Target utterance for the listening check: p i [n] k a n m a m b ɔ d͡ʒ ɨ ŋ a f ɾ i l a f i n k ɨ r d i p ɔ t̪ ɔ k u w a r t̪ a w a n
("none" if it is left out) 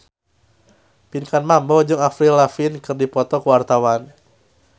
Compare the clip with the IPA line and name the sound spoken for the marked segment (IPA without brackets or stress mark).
n